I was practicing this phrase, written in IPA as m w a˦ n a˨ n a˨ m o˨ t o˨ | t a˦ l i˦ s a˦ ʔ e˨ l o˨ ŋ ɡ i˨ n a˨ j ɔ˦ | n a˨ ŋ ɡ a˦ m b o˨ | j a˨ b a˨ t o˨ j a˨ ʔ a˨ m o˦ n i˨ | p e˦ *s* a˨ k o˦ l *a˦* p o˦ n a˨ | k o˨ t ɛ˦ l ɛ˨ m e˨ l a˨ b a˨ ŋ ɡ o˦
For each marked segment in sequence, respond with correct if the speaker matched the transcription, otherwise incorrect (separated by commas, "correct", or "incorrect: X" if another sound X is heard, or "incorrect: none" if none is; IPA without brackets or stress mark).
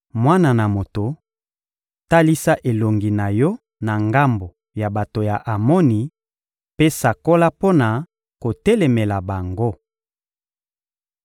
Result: correct, correct